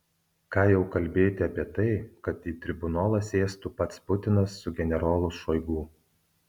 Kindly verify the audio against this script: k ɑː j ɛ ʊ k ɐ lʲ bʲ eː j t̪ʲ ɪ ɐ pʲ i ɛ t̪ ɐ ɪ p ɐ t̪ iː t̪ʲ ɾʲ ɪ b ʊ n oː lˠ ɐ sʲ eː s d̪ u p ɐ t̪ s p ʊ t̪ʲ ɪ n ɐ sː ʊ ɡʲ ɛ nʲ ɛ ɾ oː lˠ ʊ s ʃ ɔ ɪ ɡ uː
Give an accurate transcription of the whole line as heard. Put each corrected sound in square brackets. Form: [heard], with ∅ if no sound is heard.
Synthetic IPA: k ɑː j ɛ ʊ k ɐ lʲ bʲ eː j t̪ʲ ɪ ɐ pʲ i ɛ t̪ ɐ ɪ [k] ɐ t̪ iː t̪ʲ ɾʲ ɪ b ʊ n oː lˠ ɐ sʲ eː s [t̪] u p ɐ t̪ s p ʊ t̪ʲ ɪ n ɐ sː ʊ ɡʲ ɛ nʲ ɛ ɾ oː lˠ ʊ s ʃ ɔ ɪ ɡ uː